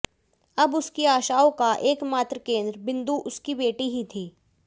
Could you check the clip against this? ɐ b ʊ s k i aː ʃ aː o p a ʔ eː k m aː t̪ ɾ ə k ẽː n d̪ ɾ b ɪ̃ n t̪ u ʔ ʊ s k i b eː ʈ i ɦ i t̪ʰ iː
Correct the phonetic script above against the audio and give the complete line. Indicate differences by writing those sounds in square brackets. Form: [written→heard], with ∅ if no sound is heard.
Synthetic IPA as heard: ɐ b ʊ s k i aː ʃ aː o [p→k] a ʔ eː k m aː t̪ ɾ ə k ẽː n d̪ ɾ b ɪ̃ n [t̪→d̪] u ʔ ʊ s k i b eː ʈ i ɦ i t̪ʰ iː